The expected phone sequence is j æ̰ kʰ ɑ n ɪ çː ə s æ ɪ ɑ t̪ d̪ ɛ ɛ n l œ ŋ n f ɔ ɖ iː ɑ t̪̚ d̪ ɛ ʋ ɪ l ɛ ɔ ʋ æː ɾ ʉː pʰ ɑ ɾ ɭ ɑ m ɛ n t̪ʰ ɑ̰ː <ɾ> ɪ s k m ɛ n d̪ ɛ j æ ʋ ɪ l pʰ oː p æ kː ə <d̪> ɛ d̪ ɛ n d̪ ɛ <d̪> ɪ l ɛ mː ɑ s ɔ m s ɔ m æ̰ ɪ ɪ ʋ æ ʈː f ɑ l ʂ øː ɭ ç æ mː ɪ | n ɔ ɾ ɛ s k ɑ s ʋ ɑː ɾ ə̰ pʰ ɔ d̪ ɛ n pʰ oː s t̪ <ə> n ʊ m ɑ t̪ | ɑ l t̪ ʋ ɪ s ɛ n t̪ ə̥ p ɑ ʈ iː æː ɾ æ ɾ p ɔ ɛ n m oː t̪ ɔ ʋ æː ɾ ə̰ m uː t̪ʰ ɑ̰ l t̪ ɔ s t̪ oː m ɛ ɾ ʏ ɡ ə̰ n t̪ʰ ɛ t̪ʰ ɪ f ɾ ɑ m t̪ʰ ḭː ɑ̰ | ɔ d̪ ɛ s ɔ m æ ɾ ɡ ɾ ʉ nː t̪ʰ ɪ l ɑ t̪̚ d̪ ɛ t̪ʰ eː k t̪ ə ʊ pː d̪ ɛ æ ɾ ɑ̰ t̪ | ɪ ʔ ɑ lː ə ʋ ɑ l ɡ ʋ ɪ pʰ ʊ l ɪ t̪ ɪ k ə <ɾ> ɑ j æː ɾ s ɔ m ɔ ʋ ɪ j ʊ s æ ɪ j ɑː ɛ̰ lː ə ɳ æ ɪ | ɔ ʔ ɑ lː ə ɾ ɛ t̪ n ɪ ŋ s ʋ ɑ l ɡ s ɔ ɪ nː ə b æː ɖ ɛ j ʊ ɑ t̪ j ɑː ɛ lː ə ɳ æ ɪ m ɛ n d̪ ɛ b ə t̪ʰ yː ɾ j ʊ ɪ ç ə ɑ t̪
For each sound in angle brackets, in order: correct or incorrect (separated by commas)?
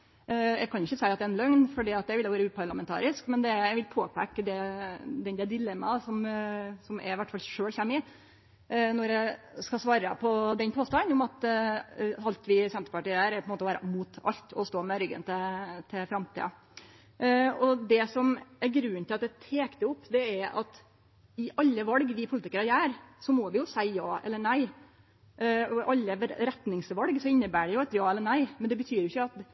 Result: correct, correct, correct, incorrect, correct